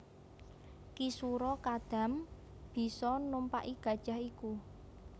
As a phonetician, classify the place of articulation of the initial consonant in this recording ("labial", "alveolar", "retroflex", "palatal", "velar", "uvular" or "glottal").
velar